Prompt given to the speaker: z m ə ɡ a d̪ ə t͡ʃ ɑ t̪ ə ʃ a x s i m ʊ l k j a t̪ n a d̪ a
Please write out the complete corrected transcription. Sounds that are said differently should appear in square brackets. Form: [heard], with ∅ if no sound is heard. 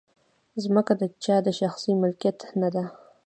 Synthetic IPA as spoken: z m ə [k] a d̪ ə t͡ʃ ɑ [d̪] ə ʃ a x s i m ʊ l k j a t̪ n a d̪ a